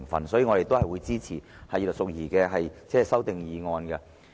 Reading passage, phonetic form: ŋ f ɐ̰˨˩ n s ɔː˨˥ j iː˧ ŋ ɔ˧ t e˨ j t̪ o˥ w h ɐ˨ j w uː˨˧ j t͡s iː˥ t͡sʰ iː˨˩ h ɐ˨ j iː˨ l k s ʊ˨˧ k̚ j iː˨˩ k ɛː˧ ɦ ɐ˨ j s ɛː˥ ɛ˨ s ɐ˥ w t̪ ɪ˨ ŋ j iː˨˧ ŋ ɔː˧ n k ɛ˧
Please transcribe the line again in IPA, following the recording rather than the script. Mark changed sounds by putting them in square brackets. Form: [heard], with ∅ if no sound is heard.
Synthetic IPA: ŋ f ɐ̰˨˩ n s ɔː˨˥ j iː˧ ŋ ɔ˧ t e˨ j t̪ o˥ w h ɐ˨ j w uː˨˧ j t͡s iː˥ t͡sʰ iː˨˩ h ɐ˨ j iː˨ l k s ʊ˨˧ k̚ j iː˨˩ k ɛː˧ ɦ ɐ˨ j [t͡s] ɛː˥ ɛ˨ s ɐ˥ w t̪ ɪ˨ ŋ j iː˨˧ ŋ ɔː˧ n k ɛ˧